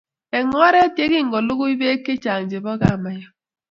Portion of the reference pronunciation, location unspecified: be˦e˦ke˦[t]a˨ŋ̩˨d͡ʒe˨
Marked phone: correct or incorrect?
incorrect